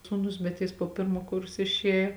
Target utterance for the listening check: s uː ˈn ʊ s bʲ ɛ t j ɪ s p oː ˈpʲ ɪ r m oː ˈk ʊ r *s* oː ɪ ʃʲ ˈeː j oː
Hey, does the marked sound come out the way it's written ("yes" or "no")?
yes